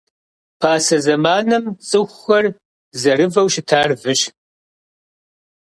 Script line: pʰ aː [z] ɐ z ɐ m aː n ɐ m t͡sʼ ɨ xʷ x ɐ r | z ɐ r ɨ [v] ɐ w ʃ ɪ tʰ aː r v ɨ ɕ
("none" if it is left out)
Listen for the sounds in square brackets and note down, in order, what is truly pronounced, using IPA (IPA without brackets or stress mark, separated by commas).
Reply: s, v